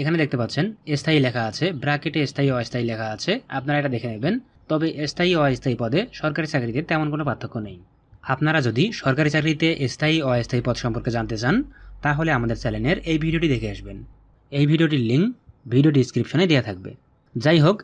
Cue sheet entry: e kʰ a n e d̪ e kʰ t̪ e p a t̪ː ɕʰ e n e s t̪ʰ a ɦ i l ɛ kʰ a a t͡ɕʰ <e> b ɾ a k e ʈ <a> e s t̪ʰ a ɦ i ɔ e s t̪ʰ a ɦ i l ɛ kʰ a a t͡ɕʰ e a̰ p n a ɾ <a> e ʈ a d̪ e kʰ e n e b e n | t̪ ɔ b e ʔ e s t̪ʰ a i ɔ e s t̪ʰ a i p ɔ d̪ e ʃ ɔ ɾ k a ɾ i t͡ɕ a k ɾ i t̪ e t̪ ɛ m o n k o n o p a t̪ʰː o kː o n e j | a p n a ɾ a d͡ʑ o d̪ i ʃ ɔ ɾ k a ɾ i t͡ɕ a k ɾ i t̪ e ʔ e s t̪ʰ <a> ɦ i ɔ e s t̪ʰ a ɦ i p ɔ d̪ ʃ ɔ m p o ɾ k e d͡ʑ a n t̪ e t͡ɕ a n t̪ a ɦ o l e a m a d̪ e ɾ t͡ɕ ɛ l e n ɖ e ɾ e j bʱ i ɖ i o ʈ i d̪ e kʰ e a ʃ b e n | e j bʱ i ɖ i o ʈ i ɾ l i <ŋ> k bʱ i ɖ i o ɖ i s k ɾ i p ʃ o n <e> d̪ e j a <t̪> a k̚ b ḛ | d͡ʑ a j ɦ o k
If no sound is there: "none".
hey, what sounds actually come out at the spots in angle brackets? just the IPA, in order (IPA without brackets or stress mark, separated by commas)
e, e, a, a, ŋ, e, t̪ʰ